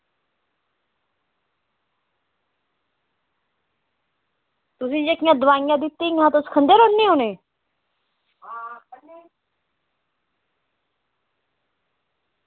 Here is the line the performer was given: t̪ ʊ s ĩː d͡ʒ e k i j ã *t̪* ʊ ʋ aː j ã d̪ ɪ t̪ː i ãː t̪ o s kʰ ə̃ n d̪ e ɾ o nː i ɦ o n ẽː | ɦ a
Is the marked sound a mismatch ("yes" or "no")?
yes